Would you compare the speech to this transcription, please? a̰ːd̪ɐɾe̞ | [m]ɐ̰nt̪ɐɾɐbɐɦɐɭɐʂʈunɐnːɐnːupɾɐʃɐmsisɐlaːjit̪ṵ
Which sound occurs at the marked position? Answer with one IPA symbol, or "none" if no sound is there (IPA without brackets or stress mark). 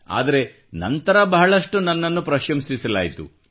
n